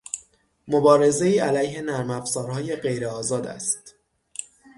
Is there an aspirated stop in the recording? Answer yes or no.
no